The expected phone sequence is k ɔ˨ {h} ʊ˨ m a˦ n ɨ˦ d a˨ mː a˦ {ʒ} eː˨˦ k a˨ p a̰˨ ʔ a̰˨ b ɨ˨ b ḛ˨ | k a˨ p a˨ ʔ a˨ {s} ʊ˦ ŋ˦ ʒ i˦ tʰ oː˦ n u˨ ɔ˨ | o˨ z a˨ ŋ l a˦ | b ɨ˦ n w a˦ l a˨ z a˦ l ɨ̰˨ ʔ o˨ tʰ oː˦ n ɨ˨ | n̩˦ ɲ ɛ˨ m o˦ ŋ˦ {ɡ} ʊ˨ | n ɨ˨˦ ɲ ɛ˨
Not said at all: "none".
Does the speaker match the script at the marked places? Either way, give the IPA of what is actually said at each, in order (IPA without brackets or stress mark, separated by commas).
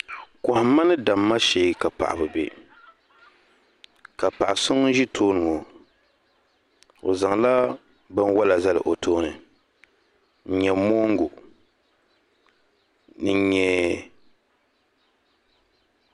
h, ʃ, s, ɡ